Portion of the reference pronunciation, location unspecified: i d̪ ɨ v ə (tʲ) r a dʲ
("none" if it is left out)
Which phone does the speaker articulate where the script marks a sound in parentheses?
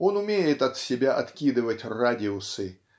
tʲ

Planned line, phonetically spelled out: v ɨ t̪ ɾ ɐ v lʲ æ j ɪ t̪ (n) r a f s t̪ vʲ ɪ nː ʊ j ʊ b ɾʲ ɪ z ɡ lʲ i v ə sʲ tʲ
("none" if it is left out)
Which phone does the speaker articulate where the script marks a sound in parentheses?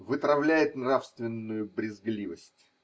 n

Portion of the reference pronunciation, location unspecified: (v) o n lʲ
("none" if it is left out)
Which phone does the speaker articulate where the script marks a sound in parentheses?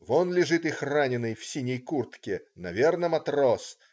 v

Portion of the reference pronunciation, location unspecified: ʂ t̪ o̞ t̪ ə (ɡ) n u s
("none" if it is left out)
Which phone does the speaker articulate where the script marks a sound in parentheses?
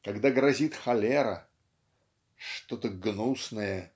ɡ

